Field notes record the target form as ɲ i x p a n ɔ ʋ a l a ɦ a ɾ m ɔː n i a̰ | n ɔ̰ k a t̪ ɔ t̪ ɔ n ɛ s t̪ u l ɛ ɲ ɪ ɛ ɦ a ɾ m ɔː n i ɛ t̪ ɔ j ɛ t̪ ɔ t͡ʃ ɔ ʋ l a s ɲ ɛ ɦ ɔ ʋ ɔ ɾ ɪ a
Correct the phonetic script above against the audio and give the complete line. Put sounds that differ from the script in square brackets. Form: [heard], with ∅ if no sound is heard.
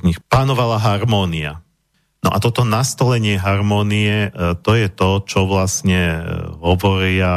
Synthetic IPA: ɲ i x p a n ɔ ʋ a l a ɦ a ɾ m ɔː n i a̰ | n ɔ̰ [ʔ] a t̪ ɔ t̪ ɔ n [a] s t̪ [ɔ] l ɛ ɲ ɪ ɛ ɦ a ɾ m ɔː n i ɛ t̪ ɔ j ɛ t̪ ɔ t͡ʃ ɔ ʋ l a s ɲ ɛ ɦ ɔ ʋ ɔ ɾ ɪ a